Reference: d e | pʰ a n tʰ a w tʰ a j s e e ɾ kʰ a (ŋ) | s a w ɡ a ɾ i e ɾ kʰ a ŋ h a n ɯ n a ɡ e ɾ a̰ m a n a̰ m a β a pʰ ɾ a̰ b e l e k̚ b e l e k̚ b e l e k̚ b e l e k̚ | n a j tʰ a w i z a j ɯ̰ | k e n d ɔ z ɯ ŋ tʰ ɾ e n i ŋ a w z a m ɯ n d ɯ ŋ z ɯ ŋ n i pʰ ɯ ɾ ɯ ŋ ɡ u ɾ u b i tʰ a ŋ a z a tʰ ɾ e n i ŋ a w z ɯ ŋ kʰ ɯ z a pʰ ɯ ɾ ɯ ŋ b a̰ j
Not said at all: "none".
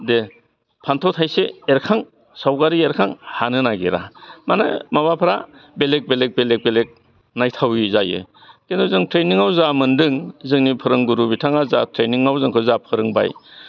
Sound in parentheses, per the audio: ŋ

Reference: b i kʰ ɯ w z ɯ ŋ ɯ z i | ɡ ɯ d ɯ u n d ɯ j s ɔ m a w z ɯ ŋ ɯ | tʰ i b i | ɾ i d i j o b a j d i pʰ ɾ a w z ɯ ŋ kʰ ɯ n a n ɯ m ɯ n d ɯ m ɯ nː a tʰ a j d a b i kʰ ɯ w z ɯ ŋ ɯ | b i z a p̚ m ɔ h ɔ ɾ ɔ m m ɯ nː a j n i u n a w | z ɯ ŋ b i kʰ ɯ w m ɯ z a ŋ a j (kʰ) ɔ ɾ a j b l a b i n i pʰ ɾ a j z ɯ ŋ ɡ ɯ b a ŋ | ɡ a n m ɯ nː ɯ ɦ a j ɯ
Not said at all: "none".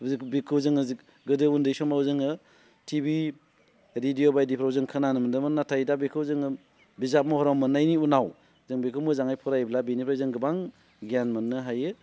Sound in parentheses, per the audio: pʰ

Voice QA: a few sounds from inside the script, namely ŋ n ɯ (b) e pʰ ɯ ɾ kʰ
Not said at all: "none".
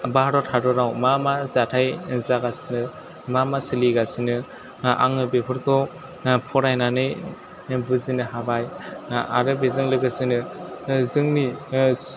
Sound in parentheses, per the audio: b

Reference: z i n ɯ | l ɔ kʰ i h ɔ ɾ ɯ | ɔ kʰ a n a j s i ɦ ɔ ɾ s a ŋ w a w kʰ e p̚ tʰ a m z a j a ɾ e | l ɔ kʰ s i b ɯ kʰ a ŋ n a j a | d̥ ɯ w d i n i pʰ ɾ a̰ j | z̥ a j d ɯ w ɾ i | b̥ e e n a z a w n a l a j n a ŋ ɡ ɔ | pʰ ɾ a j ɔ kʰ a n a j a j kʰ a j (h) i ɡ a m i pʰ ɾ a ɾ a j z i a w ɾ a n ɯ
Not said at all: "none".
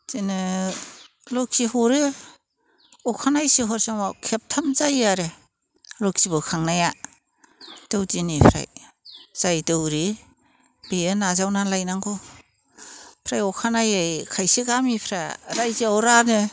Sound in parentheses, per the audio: s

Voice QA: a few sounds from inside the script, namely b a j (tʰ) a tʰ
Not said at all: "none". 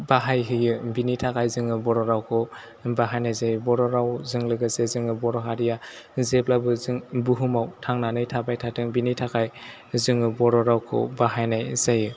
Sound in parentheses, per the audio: tʰ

